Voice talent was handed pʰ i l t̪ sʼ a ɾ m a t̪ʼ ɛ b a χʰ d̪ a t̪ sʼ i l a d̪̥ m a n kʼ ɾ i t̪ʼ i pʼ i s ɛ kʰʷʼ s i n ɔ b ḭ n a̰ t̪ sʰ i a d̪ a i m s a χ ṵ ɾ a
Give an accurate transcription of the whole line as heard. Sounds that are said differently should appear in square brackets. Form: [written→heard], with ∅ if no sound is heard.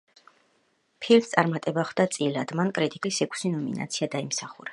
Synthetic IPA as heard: pʰ i l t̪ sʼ a ɾ m a t̪ʼ ɛ b a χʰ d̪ a t̪ sʼ i l a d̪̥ m a n kʼ ɾ i t̪ʼ i [pʼ→kʼ] i s ɛ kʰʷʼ s i n ɔ [b→m] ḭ n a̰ t̪ sʰ i a d̪ a i m s a χ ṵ ɾ a